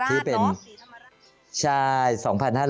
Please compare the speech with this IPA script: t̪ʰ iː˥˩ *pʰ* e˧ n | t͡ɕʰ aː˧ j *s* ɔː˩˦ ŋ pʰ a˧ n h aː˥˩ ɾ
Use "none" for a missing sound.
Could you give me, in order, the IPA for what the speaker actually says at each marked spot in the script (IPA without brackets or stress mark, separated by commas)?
p, s